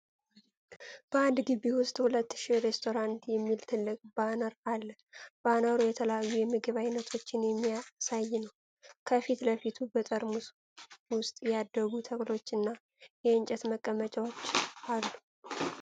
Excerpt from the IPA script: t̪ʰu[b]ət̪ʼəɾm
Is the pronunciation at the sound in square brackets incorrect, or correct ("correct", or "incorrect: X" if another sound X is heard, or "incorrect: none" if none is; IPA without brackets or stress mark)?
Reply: correct